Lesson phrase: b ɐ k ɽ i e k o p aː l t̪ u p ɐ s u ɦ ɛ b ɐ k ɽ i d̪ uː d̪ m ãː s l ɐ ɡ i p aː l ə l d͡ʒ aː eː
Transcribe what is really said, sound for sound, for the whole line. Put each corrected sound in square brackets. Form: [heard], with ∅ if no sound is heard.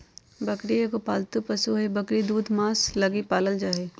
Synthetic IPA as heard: b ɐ k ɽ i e k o p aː l t̪ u p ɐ s u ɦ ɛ b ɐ k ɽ i d̪ uː d̪ m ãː s l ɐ ɡ i p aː l ə l d͡ʒ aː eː